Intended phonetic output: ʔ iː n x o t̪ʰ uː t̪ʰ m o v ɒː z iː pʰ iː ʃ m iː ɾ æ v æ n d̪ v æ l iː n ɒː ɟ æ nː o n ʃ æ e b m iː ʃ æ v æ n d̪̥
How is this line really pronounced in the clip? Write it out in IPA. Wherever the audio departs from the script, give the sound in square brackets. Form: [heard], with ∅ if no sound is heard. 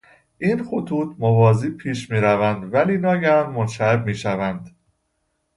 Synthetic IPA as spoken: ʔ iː n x o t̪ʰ uː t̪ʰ m o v ɒː z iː pʰ iː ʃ m iː ɾ æ v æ n d̪ v æ l iː n ɒː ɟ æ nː o n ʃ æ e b m iː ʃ æ v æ n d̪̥